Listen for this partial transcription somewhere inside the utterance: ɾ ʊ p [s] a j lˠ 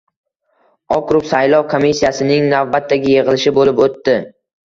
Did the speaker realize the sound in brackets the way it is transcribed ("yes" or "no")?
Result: yes